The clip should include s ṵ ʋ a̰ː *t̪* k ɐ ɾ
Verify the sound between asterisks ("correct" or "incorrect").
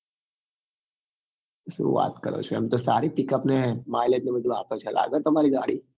correct